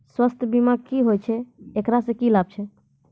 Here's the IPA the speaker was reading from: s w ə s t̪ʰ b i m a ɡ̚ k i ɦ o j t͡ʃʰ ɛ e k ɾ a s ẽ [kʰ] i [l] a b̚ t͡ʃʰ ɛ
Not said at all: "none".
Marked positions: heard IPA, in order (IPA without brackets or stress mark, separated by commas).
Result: k, l